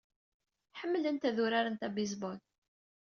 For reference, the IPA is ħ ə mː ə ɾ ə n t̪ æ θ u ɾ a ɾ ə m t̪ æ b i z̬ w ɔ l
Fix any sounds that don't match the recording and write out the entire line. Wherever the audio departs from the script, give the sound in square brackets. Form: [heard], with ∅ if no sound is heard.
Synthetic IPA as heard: ħ ə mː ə [l] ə n t̪ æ [ð] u ɾ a ɾ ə [n] t̪ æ b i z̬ [b] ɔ l